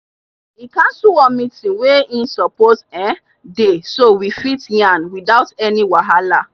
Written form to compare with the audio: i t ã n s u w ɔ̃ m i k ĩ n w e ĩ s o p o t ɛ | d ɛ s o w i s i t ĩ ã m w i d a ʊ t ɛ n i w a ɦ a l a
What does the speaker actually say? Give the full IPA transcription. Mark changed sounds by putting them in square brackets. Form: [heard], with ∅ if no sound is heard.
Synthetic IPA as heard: i [k] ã n s u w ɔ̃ m i [t] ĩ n w e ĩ s [ɔ] p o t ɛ | d [e] s o w i [f] i t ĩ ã [n] w i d a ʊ t ɛ n i w a ɦ a l a